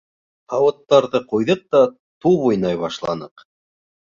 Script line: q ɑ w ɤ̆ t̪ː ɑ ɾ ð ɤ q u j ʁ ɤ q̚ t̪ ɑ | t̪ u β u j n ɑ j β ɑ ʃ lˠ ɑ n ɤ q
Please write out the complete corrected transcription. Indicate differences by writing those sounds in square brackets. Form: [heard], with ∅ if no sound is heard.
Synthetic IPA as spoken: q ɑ w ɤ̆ t̪ː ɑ ɾ ð ɤ q u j [ð] ɤ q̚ t̪ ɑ | t̪ u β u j n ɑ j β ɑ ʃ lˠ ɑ n ɤ q